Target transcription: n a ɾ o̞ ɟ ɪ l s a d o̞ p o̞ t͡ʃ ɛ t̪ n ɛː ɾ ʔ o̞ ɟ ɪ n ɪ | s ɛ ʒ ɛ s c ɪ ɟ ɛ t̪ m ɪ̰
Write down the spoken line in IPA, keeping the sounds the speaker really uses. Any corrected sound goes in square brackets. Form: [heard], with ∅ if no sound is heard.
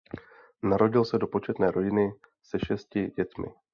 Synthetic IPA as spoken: n a ɾ o̞ ɟ ɪ l s [ɛ] d o̞ p o̞ t͡ʃ ɛ t̪ n ɛː ɾ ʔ o̞ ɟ ɪ n ɪ | s ɛ [ʃ] ɛ s c ɪ ɟ ɛ t̪ m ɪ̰